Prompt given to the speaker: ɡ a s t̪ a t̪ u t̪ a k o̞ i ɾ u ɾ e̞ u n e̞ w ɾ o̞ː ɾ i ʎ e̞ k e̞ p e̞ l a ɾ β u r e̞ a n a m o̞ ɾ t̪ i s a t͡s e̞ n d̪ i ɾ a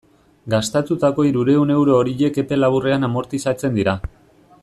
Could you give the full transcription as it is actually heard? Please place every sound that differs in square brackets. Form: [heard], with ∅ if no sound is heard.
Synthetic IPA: ɡ a s t̪ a t̪ u t̪ a k o̞ i ɾ u ɾ e̞ u n e̞ w ɾ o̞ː ɾ i ʎ e̞ k e̞ p e̞ l a [∅] β u r e̞ a n a m o̞ ɾ t̪ i s a t͡s e̞ n d̪ i ɾ a